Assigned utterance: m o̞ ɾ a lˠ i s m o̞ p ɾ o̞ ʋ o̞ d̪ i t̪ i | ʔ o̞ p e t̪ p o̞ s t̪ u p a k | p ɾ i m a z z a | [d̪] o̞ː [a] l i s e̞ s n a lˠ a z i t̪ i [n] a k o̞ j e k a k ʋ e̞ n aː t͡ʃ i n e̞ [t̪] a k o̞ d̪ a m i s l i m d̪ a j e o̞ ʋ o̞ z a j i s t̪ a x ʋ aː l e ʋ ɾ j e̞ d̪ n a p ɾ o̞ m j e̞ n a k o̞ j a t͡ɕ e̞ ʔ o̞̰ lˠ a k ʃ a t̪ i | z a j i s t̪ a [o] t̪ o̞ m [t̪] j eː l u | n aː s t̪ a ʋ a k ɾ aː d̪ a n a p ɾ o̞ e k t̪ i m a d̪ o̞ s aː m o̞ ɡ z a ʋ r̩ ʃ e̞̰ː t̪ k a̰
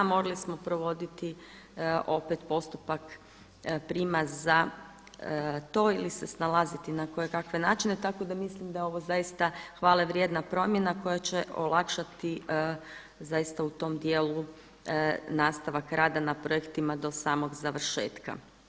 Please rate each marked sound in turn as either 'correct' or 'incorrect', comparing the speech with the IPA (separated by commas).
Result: incorrect, incorrect, correct, correct, incorrect, incorrect